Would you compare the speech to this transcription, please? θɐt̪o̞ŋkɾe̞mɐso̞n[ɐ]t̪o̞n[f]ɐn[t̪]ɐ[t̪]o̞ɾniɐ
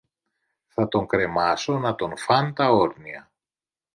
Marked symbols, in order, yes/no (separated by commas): yes, yes, yes, no